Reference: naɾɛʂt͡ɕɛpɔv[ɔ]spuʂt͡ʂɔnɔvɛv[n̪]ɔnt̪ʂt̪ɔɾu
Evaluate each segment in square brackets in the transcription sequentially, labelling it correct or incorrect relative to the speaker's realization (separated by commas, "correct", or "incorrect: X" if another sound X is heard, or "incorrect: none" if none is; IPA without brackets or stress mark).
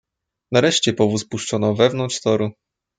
incorrect: u, correct